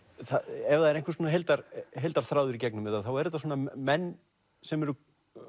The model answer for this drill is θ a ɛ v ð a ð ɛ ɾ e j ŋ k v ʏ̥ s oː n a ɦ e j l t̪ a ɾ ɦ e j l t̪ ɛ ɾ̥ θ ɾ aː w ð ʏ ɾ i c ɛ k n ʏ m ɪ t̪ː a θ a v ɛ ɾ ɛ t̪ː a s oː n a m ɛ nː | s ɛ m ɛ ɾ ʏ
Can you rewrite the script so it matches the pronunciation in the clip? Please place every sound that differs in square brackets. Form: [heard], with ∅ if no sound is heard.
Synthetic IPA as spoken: θ a ɛ v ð a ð ɛ ɾ e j ŋ k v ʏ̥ s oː n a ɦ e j l t̪ a ɾ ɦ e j l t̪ [a] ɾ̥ θ ɾ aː w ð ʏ ɾ i c ɛ k n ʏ m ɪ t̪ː a θ a [w] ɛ ɾ ɛ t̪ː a s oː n a m ɛ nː | s ɛ m ɛ ɾ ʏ